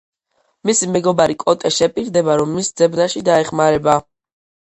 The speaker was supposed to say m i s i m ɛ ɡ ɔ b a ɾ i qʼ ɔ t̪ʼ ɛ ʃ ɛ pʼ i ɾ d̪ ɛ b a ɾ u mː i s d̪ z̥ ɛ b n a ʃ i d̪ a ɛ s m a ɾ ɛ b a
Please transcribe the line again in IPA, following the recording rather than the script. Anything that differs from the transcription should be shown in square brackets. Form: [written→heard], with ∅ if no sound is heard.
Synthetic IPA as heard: m i s i m ɛ ɡ ɔ b a ɾ i [qʼ→kʼ] ɔ t̪ʼ ɛ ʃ ɛ pʼ i ɾ d̪ ɛ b a ɾ [u→ɔ] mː i s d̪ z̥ ɛ b n a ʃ i d̪ a ɛ [s→χ] m a ɾ ɛ b a